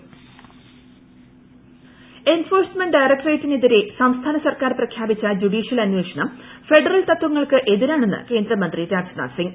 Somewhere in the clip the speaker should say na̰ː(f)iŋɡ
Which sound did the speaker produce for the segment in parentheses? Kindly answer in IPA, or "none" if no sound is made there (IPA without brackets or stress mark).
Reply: s